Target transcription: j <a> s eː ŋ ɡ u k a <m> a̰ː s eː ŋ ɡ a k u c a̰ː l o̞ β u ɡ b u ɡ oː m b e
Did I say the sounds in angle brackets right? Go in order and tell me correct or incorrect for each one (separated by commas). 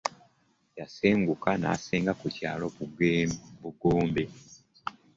correct, incorrect